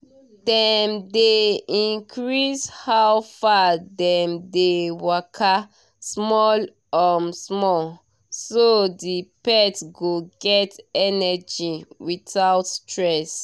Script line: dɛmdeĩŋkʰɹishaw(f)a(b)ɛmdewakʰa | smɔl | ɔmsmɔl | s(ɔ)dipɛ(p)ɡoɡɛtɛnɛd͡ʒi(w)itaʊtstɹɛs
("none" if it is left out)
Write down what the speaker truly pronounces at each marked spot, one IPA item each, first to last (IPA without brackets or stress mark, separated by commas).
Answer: f, d, o, t, w